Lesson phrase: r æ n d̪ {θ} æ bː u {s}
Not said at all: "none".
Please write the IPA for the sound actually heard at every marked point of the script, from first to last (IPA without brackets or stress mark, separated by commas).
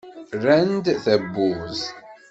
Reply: θ, z